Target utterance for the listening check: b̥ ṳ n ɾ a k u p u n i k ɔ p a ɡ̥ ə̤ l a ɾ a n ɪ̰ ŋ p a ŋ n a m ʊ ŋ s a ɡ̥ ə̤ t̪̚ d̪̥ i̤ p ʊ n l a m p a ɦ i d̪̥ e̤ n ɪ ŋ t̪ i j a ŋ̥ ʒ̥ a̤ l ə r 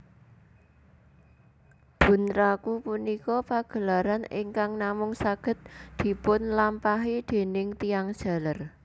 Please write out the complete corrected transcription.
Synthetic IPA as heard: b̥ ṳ n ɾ a k u p u n i k ɔ p a ɡ̥ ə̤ l a ɾ a n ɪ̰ ŋ k a ŋ n a m ʊ ŋ s a ɡ̥ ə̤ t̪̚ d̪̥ i̤ p ʊ n l a m p a ɦ i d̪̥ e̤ n ɪ ŋ t̪ i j a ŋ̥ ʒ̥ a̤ l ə r